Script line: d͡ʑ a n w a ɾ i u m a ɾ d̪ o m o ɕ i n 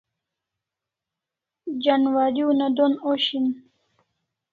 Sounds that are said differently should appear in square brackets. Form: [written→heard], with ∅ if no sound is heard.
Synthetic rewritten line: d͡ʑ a n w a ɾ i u [m→n] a [ɾ→∅] d̪ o [m→n] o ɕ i n

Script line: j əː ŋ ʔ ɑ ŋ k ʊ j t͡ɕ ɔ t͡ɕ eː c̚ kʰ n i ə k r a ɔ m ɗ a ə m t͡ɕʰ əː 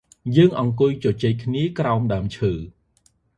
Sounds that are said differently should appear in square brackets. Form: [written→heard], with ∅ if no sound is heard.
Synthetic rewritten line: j əː ŋ ʔ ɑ ŋ k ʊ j t͡ɕ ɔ t͡ɕ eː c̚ kʰ n i ə k r a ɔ m ɗ a ə m t͡ɕʰ əː

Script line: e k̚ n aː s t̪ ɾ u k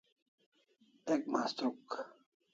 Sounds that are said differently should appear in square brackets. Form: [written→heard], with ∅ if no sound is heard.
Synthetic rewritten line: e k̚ [n→m] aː s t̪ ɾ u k

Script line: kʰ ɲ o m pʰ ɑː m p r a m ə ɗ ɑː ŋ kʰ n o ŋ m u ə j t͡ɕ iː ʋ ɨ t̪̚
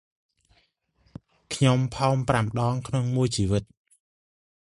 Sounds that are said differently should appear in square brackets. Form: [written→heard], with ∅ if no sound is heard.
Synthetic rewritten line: kʰ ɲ o m pʰ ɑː m p r a m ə ɗ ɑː ŋ kʰ n o ŋ m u ə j t͡ɕ iː ʋ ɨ t̪̚

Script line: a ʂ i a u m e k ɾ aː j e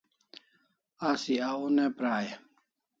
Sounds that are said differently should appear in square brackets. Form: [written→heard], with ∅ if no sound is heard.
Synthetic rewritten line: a [ʂ→s] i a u [m→n] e [k→p] ɾ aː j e

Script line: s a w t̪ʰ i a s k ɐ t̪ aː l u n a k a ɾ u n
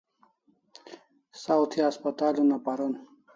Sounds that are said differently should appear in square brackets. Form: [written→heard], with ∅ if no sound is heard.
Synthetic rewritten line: s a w t̪ʰ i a s [k→p] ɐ t̪ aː l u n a [k→p] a ɾ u n

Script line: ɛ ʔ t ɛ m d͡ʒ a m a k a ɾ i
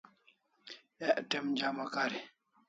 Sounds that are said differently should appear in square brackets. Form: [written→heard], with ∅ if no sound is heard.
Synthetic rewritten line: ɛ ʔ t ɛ m d͡ʒ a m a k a ɾ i

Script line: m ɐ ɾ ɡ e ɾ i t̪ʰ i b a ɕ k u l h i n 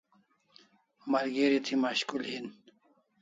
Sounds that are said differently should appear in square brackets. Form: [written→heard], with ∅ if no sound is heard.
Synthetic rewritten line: m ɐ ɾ ɡ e ɾ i t̪ʰ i [b→m] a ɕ k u l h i n

